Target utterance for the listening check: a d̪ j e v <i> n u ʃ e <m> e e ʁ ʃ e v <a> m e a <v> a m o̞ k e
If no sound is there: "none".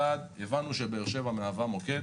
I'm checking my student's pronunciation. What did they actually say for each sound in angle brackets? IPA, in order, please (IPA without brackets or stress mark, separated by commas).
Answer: a, b, a, v